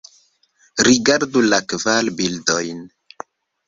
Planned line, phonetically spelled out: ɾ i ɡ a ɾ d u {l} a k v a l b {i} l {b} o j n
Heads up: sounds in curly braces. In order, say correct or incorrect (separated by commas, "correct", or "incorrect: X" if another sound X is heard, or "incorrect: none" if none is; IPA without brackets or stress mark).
correct, correct, incorrect: d